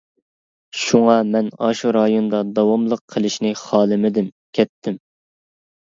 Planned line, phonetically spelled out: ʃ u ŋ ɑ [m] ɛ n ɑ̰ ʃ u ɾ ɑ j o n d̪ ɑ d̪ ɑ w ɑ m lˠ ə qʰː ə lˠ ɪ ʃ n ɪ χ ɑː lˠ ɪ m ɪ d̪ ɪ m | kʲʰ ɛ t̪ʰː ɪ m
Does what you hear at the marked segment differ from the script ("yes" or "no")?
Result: no